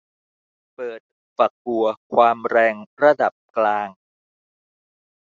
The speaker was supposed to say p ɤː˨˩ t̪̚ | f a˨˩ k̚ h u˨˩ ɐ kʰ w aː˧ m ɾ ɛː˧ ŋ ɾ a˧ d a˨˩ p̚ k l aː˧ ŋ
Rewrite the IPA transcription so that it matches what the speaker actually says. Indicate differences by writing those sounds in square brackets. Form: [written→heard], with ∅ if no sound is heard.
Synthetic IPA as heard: p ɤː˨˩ t̪̚ | f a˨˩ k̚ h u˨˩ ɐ kʰ w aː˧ m ɾ ɛː˧ ŋ ɾ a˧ d a˨˩ p̚ k l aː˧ ŋ